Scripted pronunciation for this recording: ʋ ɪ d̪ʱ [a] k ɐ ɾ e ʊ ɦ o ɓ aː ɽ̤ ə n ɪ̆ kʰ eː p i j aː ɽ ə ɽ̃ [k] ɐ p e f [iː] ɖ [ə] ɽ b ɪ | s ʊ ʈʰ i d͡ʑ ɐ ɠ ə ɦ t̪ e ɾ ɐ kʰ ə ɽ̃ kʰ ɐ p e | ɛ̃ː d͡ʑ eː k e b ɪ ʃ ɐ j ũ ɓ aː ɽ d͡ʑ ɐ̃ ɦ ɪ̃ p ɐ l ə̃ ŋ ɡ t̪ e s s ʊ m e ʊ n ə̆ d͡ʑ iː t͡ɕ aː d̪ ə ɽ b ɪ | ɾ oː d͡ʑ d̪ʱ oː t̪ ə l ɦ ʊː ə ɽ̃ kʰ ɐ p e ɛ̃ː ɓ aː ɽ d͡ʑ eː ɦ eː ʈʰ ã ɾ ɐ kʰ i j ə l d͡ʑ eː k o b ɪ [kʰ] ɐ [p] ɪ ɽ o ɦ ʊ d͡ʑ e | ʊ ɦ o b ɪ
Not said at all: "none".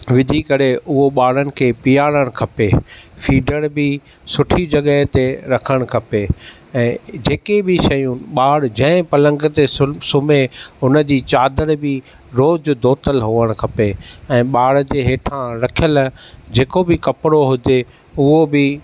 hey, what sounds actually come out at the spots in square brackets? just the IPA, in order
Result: i, kʰ, iː, ə, k, p

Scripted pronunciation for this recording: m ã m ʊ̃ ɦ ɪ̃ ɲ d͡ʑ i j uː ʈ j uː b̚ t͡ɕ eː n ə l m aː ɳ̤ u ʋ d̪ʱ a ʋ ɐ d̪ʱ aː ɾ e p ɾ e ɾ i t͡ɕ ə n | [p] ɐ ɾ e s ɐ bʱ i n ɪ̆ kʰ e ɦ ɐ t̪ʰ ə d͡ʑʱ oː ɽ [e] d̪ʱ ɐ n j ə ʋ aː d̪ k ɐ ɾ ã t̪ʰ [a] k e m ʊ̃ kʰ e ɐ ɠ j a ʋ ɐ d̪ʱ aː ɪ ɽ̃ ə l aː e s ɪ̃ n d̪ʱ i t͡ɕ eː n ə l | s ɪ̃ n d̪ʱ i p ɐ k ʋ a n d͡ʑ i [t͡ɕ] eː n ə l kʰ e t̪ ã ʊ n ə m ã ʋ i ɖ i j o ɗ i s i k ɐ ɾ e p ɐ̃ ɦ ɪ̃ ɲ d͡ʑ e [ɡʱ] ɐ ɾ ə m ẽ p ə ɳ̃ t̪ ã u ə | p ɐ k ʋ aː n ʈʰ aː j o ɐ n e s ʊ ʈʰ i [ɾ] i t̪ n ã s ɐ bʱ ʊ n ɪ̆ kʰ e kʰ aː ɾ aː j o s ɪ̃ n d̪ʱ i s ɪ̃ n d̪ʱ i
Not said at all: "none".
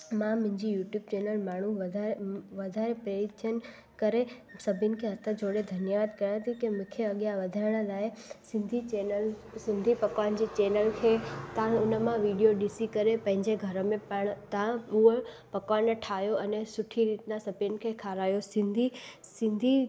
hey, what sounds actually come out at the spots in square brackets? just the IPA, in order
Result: k, e, i, t͡ɕ, ɡʱ, ɾ

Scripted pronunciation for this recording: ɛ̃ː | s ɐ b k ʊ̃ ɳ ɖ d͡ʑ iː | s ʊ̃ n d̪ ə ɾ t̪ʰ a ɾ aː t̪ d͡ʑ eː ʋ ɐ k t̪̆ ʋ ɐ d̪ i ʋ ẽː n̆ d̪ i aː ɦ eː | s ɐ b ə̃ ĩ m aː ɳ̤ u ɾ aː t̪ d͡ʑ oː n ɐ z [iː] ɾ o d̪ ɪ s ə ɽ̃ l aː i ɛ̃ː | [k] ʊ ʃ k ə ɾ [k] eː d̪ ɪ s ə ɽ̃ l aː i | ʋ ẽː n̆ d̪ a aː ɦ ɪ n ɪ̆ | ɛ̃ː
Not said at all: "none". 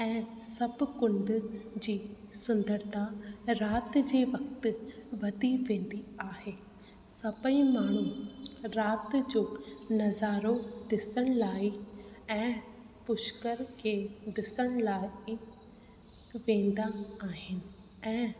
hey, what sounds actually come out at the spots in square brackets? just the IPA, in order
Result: aː, p, kʰ

